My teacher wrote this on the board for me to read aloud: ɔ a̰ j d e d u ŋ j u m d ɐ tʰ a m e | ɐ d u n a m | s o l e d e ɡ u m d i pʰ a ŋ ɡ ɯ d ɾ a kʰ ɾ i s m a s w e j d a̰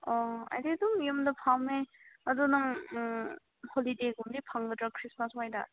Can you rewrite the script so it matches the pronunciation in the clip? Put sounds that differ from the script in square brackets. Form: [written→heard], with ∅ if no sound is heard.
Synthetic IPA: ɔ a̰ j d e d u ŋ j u m d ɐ [tʰ→pʰ] a m e | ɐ d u n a [m→ŋ] | [s→h] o l [e→i] d e ɡ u m d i pʰ a ŋ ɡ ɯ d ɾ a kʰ ɾ i s m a s w [e→a] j d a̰